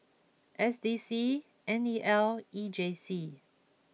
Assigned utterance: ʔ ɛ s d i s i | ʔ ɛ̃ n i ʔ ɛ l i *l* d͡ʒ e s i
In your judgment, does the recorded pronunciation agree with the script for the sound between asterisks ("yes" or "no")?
no